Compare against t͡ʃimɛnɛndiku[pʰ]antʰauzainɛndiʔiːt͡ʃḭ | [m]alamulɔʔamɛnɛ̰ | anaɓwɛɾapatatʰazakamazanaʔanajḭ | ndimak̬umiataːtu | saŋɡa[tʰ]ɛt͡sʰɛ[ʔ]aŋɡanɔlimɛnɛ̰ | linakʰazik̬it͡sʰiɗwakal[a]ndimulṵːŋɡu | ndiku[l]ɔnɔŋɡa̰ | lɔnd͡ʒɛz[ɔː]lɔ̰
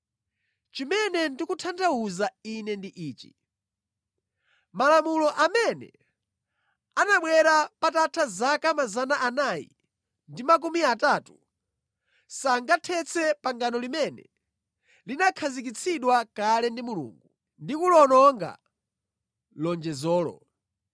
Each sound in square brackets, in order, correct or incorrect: incorrect: tʰ, correct, correct, incorrect: p, incorrect: ɛ, correct, correct

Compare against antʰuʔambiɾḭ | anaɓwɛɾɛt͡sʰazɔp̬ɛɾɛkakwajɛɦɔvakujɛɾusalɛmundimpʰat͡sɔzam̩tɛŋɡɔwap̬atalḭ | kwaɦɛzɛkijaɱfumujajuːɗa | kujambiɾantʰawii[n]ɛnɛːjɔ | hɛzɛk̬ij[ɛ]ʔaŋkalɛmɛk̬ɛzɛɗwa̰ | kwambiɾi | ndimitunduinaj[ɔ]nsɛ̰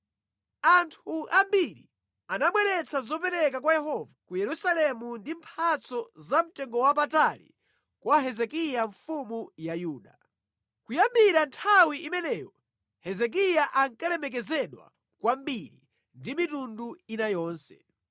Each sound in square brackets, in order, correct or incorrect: incorrect: m, incorrect: a, incorrect: ɔː

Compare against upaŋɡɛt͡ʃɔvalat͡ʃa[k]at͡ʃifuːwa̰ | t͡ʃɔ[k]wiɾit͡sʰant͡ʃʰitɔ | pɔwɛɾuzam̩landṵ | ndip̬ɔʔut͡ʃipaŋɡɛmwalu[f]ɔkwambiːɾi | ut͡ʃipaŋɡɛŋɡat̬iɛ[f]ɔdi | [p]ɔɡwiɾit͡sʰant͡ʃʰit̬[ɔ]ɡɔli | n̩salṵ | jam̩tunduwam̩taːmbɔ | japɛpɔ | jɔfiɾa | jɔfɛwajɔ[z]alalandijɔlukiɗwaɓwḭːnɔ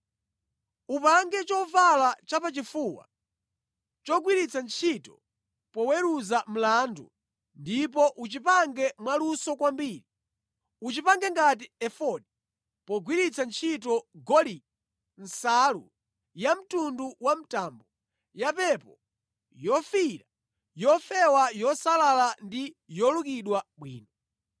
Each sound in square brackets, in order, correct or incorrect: incorrect: p, incorrect: ɡ, incorrect: s, correct, correct, correct, incorrect: s

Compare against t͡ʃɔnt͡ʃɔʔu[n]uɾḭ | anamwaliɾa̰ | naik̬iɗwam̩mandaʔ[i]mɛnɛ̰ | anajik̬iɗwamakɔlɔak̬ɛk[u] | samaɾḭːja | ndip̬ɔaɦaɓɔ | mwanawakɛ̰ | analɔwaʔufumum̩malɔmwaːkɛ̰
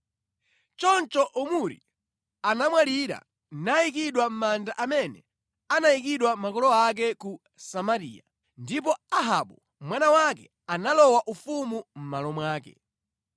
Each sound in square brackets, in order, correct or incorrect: incorrect: m, incorrect: a, correct

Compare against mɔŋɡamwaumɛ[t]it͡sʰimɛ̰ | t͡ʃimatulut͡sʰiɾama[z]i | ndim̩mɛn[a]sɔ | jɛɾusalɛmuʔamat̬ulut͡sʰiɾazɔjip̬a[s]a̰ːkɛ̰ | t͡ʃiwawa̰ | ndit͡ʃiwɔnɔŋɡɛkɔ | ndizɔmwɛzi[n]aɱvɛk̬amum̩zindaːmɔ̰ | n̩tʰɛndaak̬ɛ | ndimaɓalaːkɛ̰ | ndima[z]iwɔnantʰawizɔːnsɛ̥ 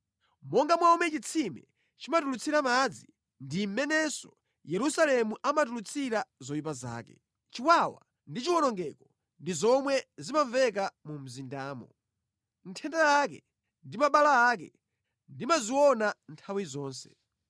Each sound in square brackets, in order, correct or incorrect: incorrect: t͡ʃ, incorrect: d͡z, incorrect: ɛ, incorrect: z, incorrect: m, correct

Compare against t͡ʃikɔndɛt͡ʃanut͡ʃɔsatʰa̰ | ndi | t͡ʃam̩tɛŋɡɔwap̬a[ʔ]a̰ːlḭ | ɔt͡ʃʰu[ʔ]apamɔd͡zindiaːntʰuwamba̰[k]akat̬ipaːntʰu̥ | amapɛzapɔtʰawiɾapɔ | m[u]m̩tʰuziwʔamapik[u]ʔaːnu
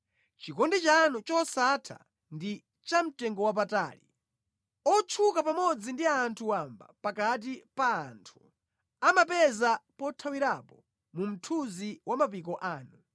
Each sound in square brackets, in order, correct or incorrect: incorrect: t, incorrect: k, incorrect: p, correct, incorrect: ɔ

